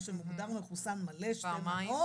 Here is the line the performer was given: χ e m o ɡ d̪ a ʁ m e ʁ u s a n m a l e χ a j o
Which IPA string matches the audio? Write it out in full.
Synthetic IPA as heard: ʃ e m u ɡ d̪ a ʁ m e χ u s a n m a l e ʃ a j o